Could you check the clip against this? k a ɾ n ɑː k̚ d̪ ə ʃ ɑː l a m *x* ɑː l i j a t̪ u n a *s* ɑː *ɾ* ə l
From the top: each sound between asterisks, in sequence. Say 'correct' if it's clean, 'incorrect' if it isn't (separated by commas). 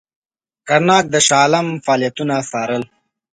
incorrect, correct, correct